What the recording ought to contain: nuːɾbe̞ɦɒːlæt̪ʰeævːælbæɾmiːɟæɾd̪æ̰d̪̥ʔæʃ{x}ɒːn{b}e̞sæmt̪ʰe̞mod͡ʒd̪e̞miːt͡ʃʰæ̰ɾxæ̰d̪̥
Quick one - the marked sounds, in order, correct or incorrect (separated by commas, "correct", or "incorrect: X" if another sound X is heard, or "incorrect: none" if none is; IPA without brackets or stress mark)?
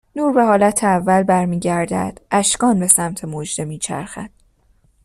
incorrect: k, correct